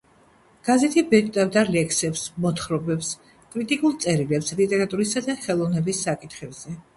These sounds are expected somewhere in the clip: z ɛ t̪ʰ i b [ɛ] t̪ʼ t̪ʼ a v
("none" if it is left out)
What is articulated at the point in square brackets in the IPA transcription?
ɛ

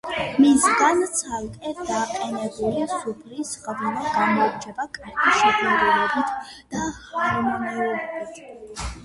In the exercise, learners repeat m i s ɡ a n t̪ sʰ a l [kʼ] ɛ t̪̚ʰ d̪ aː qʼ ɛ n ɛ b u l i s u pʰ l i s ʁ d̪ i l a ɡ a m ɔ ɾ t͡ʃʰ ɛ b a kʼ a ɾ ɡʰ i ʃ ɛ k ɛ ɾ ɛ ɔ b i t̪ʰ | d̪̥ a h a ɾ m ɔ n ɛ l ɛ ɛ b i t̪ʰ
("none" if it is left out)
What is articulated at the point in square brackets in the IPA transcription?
kʼ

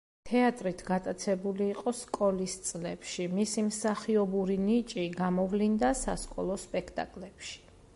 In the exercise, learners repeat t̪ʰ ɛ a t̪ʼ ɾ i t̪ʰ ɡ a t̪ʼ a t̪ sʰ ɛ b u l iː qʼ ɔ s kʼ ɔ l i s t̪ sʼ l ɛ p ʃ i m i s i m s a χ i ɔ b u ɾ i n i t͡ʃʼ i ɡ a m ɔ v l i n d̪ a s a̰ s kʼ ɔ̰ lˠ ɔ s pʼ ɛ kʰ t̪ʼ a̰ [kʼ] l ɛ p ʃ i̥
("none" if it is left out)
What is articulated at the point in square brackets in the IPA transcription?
kʼ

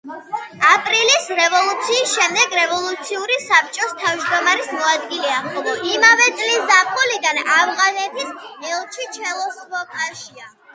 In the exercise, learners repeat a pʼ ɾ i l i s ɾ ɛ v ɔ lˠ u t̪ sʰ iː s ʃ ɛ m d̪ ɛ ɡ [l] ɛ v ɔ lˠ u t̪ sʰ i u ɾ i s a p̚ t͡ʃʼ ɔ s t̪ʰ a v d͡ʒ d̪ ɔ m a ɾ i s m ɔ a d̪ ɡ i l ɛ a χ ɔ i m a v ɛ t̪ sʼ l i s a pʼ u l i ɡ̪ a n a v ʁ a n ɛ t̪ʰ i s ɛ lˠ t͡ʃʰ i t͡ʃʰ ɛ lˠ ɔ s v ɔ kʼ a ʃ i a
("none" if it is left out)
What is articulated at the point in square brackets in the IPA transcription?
ɾ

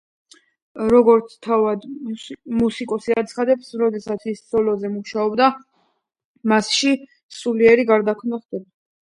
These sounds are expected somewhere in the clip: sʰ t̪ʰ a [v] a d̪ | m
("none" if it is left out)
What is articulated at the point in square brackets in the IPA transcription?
v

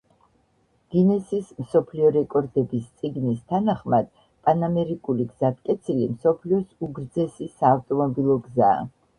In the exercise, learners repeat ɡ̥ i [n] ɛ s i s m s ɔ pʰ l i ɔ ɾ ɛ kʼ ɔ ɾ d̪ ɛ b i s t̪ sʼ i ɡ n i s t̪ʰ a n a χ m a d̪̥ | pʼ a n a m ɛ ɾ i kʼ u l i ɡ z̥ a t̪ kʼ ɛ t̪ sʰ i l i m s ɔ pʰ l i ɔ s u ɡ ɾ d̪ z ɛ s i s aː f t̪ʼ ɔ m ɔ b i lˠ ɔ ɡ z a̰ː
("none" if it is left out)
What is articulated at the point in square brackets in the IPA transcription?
n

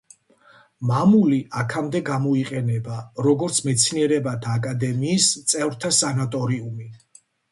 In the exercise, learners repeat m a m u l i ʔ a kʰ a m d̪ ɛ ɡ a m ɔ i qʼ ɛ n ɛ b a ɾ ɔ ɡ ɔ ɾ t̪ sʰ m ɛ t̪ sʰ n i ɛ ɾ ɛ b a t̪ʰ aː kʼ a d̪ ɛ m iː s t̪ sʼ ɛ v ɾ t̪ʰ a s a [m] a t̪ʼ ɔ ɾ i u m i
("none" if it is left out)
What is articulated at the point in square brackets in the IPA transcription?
n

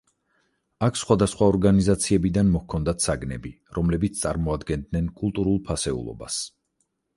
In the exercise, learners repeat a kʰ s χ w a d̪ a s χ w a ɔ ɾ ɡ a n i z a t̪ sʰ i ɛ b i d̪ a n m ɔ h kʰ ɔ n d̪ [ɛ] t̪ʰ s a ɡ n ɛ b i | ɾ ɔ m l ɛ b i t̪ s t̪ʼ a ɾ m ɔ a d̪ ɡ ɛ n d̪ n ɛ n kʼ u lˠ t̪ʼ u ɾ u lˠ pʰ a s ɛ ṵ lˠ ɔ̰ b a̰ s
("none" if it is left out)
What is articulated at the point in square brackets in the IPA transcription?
a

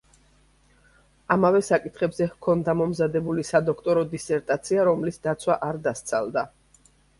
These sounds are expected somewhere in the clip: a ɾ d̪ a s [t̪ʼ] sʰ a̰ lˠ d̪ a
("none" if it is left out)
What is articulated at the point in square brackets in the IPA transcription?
t̪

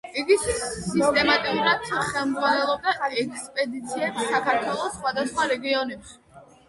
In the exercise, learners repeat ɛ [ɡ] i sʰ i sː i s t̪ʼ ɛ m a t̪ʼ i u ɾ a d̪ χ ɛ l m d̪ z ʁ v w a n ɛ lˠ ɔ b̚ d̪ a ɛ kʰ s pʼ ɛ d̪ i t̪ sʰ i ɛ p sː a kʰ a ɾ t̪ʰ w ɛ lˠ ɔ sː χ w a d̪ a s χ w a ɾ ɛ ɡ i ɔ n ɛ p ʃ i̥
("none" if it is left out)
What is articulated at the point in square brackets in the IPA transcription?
ɡ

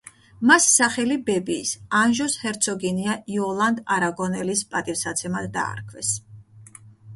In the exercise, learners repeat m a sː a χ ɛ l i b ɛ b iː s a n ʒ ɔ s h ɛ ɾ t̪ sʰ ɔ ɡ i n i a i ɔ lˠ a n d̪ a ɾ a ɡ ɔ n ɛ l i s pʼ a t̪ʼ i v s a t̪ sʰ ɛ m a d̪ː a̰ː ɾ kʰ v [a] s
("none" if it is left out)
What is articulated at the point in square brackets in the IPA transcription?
ɛ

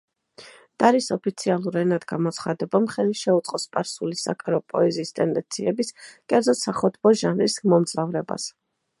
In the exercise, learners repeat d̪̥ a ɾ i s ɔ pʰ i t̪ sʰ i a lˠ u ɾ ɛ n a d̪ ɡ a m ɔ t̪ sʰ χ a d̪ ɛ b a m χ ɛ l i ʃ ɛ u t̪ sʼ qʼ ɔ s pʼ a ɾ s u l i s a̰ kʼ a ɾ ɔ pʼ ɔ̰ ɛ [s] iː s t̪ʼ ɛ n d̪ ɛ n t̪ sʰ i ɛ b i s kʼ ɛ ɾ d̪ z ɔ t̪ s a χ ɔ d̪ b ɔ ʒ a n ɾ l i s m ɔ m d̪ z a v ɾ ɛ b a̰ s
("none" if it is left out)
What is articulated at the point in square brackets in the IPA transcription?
z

